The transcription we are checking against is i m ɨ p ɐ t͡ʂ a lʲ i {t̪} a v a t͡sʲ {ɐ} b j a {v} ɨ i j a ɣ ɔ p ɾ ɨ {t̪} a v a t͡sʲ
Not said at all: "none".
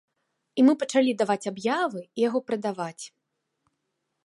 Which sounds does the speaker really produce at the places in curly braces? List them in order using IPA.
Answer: d̪, a, v, d̪

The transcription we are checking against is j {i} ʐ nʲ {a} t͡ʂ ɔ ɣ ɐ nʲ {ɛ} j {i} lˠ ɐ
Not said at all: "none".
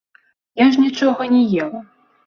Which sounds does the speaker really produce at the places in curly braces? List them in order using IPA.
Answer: a, i, ɛ, ɛ

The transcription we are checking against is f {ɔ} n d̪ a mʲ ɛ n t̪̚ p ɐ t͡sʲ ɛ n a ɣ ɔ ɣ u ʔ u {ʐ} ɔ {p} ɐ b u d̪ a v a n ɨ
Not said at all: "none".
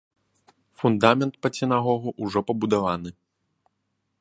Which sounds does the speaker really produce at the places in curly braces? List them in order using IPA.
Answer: u, ʐ, p

